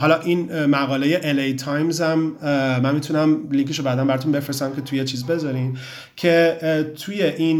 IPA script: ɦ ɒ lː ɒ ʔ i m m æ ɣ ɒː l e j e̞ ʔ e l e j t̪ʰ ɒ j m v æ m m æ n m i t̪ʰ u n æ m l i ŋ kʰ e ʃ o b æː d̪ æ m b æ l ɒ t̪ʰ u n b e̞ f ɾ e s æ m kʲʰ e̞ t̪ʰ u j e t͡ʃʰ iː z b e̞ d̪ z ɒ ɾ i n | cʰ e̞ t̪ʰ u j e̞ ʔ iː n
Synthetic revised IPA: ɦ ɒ l ɒ ʔ i n m æ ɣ ɒː l e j e̞ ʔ e l e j t̪ʰ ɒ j m z æ m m æ n m i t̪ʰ u n æ m l i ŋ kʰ e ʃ o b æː d̪ æ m b æ ɾ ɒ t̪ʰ u n b e̞ f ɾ e s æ m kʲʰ e̞ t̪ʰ u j e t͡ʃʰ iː z b e̞ z ɒ ɾ i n | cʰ e̞ t̪ʰ u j e̞ ʔ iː n